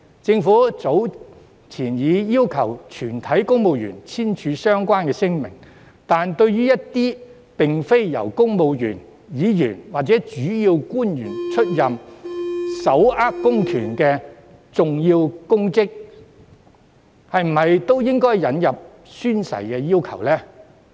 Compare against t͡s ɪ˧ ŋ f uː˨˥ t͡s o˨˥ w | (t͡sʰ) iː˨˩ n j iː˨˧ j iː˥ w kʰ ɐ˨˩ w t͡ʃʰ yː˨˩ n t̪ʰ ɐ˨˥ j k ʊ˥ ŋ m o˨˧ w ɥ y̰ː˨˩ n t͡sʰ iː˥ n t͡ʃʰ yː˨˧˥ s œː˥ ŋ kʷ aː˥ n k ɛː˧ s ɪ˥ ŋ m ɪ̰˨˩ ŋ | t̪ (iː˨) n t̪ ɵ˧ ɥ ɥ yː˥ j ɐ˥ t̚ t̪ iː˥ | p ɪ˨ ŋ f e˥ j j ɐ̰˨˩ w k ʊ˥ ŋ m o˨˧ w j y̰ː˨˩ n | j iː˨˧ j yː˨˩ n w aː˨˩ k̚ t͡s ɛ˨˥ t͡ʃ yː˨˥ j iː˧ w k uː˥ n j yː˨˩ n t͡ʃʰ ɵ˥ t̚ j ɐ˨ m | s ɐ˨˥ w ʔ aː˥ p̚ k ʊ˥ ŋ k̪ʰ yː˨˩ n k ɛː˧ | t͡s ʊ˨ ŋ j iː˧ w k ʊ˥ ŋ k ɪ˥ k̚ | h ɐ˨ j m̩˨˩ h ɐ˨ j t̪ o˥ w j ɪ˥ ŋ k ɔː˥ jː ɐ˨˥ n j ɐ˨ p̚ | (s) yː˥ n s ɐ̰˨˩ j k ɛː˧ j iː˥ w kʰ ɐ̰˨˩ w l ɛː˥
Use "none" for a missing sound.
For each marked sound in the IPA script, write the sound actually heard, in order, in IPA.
t͡sʰ, aː˨, s

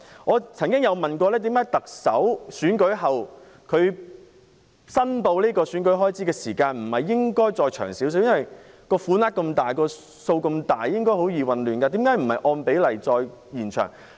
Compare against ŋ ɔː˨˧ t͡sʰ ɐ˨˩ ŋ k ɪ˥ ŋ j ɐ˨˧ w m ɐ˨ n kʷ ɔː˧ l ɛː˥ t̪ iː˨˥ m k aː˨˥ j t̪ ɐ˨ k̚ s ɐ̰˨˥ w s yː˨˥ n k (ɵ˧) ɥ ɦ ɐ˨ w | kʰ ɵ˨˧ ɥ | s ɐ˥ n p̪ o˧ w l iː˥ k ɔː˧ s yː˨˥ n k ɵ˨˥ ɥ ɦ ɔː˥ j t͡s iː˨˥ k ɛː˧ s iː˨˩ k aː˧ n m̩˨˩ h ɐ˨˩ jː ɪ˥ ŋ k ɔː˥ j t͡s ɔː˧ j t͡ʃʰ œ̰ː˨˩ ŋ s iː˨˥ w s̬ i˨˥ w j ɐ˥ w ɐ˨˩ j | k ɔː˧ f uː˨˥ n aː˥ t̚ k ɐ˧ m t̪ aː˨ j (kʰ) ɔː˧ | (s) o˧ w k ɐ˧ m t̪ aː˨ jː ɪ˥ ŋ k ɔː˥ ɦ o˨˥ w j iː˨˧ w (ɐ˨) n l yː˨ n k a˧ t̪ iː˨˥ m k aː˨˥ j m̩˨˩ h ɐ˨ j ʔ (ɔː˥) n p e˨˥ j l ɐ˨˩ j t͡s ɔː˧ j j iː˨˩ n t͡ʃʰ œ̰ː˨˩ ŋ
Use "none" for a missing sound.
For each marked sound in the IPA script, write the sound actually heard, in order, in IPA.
ɵ˨˥, k, s, ɐ˨, ɔː˧

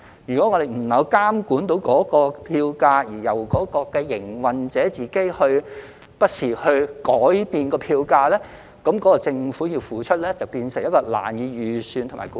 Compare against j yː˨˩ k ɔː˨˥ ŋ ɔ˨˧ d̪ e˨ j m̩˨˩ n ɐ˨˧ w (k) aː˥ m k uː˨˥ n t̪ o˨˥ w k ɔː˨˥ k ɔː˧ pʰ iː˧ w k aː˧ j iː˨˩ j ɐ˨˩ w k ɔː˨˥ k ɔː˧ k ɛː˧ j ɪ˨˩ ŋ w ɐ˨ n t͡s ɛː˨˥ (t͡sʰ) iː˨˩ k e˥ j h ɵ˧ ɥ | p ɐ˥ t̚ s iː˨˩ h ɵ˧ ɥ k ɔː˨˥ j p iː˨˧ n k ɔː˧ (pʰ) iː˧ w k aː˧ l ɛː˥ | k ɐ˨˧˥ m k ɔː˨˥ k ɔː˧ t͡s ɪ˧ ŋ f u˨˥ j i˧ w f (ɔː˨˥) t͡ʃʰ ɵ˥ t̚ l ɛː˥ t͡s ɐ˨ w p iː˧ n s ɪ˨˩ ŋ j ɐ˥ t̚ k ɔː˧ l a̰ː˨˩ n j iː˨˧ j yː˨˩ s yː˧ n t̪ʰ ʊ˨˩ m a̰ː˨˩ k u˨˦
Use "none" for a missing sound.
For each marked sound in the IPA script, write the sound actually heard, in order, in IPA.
k, t͡s, pʰ, uː˨˥

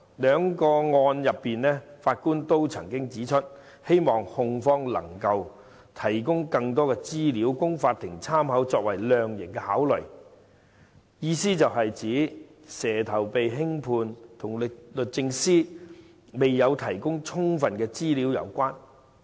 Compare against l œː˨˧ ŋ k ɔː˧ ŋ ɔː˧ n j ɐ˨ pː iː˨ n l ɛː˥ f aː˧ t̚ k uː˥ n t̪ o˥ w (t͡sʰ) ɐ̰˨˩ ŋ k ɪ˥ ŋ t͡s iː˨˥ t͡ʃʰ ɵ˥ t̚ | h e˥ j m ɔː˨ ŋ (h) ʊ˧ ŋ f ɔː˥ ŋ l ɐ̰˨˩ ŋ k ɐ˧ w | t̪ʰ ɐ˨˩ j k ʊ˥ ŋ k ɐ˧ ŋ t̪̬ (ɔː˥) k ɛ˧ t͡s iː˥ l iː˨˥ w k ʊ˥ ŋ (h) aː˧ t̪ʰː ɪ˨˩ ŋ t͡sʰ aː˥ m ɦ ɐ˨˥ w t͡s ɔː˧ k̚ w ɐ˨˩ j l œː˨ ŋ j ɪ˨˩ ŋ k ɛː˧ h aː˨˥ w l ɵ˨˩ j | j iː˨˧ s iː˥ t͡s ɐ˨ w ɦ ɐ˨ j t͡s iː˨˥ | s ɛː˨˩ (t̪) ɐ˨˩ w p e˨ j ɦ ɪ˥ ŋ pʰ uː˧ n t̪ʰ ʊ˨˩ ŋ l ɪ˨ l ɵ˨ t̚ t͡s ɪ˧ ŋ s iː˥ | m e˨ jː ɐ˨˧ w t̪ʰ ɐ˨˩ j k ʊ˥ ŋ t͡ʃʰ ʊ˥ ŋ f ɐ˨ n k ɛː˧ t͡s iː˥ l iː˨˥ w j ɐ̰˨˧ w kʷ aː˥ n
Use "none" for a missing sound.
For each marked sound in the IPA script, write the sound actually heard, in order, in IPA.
t͡sʰ, h, ɔː˥, f, t̪ʰ

